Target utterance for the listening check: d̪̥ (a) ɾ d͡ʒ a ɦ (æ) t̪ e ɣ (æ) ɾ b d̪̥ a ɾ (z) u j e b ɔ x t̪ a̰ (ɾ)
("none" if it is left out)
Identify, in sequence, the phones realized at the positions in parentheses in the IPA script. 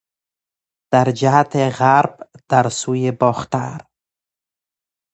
a, a, a, s, ɾ

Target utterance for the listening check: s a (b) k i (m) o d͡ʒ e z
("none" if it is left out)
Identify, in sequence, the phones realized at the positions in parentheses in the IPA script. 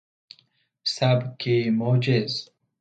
b, m

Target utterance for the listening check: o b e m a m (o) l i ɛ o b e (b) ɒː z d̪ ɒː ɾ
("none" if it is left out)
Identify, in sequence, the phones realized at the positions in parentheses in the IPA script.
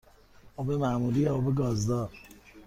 u, ɡ

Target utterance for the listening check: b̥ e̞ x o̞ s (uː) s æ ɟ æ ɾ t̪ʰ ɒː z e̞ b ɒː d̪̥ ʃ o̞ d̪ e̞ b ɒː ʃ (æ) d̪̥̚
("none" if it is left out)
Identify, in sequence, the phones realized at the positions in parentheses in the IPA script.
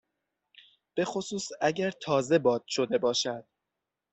uː, æ

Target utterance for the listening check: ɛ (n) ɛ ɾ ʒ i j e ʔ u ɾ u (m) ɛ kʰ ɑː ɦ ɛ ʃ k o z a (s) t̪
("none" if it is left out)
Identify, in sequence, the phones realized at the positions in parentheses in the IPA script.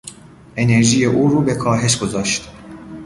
n, b, ʃ

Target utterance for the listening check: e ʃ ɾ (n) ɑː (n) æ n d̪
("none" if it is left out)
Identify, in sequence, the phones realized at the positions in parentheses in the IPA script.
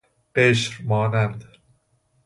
m, n

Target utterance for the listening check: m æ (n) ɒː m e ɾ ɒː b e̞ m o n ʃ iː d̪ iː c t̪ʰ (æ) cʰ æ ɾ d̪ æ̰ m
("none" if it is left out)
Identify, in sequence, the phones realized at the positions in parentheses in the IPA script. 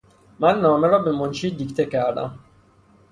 nː, e

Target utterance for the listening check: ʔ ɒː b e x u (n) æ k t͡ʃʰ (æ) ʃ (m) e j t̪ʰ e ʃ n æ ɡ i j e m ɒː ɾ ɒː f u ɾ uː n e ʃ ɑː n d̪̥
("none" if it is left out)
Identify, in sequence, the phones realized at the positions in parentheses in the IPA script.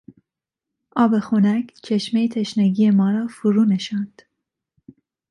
n, e, m

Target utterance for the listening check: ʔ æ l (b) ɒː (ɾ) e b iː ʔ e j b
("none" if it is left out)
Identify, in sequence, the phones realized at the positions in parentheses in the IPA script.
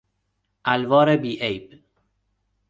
v, ɾ

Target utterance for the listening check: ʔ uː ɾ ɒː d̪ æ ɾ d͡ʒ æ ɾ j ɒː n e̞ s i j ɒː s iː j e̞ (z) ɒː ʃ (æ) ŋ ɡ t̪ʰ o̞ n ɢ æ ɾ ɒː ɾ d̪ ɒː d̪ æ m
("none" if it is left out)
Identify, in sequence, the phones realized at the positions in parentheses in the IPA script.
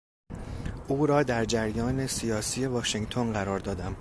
v, e

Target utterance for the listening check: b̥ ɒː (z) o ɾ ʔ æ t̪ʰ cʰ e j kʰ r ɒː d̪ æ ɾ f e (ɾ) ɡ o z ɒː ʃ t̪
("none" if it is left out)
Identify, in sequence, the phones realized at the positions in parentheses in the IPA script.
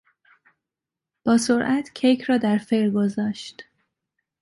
s, ɾ

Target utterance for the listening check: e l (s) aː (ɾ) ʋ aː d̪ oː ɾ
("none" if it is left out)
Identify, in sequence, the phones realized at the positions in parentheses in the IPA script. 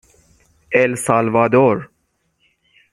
s, l

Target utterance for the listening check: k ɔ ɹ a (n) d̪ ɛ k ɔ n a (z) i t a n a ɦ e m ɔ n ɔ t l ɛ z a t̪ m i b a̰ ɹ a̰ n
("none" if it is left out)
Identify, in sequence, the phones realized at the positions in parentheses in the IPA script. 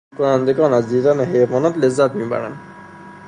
n, z

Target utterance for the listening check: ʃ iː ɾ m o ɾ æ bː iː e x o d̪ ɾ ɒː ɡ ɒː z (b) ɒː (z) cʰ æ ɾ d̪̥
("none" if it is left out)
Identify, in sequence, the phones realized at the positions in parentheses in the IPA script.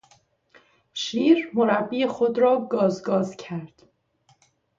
ɡ, z

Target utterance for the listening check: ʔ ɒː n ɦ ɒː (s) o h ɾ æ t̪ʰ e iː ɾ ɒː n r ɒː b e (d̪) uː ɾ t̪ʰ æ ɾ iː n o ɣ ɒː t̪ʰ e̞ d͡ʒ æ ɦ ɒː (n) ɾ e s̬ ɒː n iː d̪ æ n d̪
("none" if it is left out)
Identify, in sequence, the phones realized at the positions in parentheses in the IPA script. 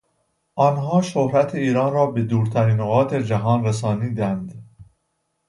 ʃ, d̪, n

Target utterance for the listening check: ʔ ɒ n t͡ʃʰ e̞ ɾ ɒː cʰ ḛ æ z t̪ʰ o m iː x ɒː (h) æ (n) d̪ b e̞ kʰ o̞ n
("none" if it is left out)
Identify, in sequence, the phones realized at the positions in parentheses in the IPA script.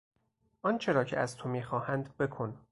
h, n

